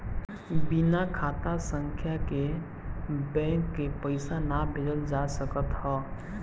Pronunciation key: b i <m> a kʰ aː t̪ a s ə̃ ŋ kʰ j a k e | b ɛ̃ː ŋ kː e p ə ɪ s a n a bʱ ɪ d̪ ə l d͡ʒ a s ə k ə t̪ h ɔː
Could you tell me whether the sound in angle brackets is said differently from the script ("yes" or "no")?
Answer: yes